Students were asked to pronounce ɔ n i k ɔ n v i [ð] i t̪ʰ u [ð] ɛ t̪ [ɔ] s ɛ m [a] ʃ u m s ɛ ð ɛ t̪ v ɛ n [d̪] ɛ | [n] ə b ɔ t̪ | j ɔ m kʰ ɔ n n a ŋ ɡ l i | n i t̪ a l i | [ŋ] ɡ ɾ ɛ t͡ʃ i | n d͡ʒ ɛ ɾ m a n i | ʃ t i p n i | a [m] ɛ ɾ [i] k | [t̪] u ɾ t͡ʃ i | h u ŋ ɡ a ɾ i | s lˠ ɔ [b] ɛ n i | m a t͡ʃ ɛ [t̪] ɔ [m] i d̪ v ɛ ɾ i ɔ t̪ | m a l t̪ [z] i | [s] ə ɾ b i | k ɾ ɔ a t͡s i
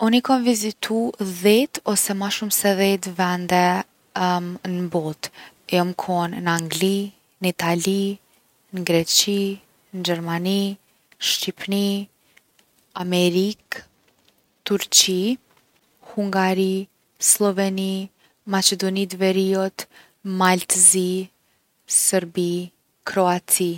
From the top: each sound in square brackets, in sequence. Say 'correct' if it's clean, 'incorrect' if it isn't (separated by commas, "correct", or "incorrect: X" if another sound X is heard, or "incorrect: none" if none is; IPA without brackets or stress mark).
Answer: incorrect: z, correct, correct, correct, correct, correct, incorrect: n, correct, correct, correct, incorrect: v, incorrect: d̪, incorrect: n, correct, correct